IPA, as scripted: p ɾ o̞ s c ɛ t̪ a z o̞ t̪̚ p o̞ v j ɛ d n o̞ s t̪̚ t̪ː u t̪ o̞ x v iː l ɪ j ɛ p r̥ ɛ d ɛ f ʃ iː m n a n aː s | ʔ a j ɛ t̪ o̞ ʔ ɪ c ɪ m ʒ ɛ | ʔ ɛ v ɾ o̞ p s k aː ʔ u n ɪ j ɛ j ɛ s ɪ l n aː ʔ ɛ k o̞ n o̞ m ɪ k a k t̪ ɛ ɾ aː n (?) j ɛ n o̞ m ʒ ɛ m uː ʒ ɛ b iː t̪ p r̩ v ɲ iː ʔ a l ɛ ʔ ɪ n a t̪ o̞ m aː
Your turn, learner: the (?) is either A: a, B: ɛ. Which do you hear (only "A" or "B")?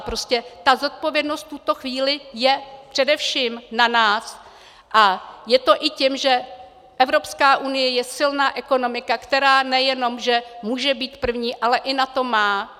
B